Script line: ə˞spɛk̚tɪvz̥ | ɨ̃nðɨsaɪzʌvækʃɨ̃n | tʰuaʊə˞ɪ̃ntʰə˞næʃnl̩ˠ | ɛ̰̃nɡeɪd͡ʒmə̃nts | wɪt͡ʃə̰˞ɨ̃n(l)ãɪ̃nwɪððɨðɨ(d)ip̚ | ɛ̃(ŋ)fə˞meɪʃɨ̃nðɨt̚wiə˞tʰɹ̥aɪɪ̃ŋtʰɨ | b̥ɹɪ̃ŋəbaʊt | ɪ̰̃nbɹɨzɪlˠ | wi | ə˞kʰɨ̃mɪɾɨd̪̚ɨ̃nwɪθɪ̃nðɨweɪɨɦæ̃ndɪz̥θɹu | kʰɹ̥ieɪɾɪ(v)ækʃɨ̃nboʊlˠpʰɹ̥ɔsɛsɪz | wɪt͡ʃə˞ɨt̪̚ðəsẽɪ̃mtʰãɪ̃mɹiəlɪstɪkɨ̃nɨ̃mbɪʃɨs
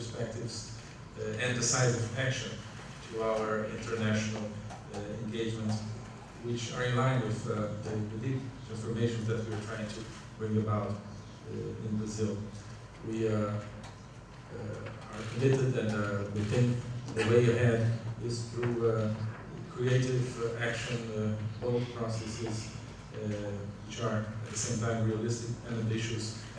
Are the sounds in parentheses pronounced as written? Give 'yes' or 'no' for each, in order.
yes, yes, no, yes

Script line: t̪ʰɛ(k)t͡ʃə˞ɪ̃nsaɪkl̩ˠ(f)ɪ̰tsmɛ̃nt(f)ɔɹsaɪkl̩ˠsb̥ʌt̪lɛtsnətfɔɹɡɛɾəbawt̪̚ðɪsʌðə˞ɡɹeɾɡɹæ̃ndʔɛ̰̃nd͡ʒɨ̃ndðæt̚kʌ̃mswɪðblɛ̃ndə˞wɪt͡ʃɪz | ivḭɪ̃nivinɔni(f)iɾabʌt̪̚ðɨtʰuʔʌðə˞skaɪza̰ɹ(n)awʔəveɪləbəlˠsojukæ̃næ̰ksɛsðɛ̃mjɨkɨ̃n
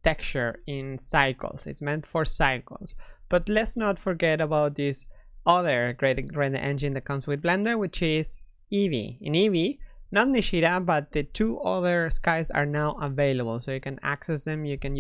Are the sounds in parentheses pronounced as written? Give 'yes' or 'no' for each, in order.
yes, no, yes, no, yes

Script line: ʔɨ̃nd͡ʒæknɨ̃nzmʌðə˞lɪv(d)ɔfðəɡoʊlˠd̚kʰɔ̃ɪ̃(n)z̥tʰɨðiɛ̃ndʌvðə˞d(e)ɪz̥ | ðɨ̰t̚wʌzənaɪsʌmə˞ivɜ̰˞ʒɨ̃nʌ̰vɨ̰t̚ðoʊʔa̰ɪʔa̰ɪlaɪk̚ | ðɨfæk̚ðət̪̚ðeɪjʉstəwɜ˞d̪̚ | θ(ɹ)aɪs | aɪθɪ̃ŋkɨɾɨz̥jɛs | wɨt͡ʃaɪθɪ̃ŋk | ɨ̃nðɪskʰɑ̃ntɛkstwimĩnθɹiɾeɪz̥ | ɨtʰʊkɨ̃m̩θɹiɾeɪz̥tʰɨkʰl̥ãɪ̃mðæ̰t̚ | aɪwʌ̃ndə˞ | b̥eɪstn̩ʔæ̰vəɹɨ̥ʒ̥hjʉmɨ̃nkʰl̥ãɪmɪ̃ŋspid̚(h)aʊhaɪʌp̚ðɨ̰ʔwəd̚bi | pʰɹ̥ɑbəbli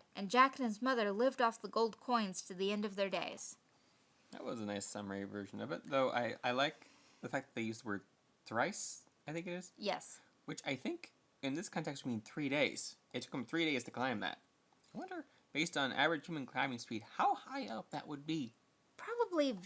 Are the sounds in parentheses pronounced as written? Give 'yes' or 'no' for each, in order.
yes, yes, yes, yes, yes

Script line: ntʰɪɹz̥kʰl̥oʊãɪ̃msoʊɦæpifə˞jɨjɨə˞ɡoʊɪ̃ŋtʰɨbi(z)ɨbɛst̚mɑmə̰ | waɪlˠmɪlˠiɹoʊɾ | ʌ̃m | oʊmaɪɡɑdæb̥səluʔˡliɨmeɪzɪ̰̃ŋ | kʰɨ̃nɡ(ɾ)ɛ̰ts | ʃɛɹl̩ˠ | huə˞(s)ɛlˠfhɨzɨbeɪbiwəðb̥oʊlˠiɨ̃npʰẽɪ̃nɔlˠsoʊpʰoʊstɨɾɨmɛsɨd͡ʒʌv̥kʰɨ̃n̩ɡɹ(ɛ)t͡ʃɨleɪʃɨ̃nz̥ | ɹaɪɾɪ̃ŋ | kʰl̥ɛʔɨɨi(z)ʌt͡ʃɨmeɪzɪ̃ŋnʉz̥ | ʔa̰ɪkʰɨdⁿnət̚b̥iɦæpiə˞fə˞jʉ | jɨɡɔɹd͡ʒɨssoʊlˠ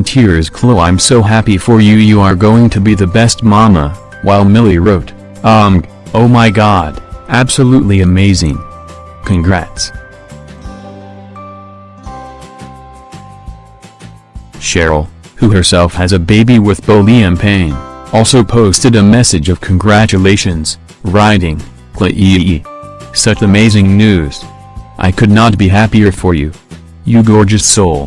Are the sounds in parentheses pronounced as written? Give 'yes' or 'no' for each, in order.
no, no, yes, no, no

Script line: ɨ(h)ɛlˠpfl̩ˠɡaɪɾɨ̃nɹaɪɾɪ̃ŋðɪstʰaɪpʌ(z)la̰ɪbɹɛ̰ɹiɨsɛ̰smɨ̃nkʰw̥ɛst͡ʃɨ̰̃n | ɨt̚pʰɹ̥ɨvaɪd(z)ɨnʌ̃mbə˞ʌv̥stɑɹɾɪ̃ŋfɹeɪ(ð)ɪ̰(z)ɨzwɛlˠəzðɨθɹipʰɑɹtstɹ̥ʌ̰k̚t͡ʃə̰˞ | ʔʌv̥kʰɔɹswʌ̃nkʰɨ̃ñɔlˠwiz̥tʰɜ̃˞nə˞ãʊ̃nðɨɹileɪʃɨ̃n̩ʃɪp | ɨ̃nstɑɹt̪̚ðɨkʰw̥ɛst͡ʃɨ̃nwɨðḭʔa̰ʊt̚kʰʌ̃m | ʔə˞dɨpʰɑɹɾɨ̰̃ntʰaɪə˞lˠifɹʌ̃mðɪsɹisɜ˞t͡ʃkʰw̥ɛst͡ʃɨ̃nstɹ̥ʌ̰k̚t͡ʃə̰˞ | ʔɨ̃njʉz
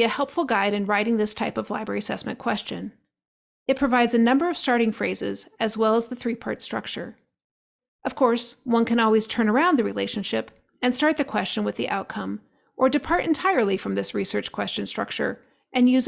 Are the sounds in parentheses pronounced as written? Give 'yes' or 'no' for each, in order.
yes, no, yes, no, yes

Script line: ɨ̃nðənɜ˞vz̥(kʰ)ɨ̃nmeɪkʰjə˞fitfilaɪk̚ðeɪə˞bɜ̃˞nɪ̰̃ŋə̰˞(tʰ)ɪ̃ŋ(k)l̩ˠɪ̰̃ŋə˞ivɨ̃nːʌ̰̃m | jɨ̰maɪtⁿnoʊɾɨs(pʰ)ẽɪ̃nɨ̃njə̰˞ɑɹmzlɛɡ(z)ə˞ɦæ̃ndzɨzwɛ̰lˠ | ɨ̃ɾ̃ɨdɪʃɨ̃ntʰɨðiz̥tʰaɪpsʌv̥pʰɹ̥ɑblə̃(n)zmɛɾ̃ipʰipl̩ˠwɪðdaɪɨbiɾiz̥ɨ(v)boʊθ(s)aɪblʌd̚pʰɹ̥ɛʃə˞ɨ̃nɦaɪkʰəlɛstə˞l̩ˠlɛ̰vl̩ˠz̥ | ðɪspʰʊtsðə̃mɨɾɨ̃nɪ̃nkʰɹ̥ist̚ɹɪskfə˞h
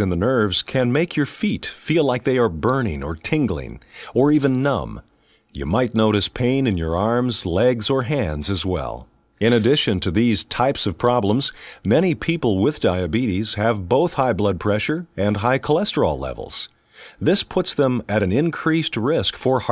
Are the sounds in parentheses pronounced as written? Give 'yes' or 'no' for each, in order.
yes, yes, no, yes, yes, no, yes, no

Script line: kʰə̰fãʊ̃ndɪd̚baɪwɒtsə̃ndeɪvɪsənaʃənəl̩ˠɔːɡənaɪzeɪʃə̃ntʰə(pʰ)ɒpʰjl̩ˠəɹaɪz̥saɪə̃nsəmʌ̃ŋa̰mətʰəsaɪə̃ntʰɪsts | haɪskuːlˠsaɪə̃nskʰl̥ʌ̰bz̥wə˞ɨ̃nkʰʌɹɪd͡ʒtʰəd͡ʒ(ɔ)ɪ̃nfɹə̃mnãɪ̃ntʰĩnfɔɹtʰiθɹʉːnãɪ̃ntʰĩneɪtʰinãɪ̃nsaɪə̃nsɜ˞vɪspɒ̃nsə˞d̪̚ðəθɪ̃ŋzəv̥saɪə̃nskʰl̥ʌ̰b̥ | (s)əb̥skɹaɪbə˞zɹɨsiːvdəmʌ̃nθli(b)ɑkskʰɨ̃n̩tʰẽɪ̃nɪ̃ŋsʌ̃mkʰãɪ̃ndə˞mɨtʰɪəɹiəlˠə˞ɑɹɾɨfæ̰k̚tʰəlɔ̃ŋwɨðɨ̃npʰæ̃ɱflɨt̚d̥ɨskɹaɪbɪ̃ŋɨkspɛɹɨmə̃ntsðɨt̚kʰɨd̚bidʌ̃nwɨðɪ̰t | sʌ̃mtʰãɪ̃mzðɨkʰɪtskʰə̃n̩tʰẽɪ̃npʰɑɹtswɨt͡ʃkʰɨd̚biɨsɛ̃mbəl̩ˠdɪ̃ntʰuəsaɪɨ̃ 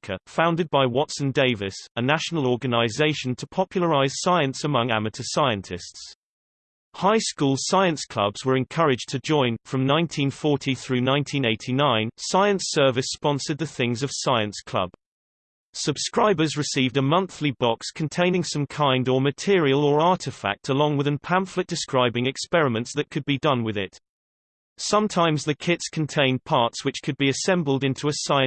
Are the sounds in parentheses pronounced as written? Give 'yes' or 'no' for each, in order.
yes, no, yes, yes

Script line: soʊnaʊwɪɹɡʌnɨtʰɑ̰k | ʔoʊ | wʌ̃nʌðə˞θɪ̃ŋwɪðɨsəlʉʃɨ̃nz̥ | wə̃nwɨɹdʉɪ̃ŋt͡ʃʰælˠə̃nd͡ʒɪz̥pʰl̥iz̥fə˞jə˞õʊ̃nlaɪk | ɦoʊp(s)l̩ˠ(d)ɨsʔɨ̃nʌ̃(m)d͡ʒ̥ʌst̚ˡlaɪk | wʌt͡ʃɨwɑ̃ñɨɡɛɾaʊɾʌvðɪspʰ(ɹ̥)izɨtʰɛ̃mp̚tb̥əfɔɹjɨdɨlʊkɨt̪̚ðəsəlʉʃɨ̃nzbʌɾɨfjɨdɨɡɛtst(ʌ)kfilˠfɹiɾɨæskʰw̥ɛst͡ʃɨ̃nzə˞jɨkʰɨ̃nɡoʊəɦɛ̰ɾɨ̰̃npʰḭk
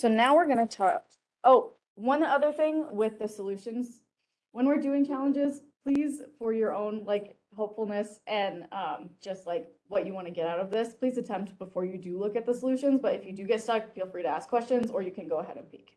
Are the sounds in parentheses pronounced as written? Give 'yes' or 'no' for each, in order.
no, no, yes, no, yes

